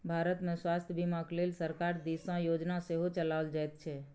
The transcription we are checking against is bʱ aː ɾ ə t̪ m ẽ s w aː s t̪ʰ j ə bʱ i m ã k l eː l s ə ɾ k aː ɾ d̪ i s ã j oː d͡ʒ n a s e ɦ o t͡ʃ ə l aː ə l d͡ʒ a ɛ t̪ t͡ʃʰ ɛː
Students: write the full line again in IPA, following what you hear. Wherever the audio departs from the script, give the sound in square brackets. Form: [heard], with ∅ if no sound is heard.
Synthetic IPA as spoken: bʱ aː ɾ ə t̪ m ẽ s w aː s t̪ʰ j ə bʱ i m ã k l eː l s ə ɾ k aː ɾ d̪ i s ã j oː d͡ʒ n a s e ɦ o t͡ʃ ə l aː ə l d͡ʒ a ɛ t̪ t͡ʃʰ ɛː